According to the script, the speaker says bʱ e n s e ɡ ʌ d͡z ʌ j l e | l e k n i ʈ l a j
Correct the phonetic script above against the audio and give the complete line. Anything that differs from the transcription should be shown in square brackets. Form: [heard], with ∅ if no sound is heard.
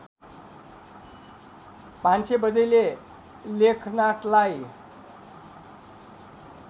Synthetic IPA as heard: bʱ [a] n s e [b] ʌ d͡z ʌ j l e | l e [kʰ] n [a] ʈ l a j